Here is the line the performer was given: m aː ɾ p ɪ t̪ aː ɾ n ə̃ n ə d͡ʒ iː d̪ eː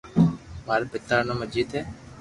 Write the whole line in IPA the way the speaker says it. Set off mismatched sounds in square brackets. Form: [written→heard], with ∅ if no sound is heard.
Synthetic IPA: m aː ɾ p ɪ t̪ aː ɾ n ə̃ [n→m] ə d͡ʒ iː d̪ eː